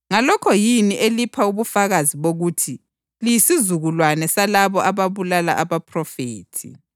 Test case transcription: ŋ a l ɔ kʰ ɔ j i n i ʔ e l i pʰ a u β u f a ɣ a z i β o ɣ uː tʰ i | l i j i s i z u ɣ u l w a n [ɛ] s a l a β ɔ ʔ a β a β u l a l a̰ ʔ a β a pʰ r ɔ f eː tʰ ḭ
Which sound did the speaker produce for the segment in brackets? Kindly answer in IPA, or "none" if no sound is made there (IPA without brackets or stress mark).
ɛ